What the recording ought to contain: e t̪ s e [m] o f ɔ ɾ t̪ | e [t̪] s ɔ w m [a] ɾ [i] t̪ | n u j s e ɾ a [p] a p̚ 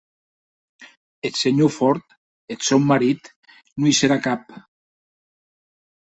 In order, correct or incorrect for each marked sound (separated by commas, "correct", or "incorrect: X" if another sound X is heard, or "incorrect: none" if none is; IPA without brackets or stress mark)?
incorrect: ɲ, correct, correct, correct, incorrect: k